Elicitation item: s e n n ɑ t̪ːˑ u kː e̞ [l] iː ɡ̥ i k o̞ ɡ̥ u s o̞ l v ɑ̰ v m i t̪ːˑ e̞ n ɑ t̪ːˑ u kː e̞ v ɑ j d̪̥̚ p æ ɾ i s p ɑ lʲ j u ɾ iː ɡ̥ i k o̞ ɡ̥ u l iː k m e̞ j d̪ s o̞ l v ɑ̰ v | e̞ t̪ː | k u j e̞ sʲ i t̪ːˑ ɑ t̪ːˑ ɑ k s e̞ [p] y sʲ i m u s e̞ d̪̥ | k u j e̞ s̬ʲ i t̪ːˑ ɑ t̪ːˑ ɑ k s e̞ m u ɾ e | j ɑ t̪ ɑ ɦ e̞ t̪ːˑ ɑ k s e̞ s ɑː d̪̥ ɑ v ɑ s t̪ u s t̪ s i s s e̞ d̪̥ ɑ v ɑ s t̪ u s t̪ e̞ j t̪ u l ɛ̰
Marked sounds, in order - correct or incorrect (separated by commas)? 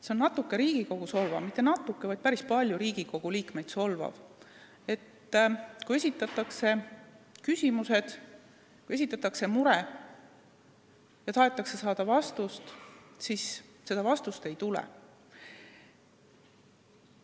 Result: incorrect, incorrect